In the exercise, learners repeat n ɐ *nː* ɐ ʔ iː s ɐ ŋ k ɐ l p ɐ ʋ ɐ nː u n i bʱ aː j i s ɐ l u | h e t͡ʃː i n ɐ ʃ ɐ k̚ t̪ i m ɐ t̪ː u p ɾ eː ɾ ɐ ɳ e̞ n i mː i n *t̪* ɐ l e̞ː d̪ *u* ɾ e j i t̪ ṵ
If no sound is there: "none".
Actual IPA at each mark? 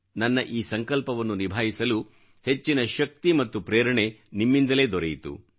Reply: nː, d̪, ɔ

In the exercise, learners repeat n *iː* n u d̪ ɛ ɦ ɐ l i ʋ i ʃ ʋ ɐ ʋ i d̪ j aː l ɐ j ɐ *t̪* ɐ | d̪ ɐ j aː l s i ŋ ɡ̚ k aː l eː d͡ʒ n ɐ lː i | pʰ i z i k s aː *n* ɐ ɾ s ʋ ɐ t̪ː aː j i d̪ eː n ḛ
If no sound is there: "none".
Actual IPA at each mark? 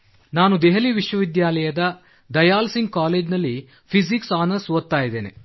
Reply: aː, d̪, n

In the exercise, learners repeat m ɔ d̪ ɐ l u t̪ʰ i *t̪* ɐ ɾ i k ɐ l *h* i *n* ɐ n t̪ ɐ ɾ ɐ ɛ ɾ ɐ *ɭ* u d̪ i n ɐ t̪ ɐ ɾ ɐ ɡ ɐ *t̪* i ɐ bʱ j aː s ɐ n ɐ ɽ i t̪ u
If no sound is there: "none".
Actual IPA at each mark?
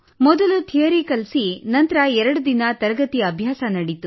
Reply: none, s, n, ɽ, t̪

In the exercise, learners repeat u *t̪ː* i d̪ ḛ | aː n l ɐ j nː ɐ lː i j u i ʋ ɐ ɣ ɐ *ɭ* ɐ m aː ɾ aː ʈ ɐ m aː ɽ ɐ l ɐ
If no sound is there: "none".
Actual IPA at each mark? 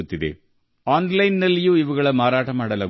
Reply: t̪ː, ɭ

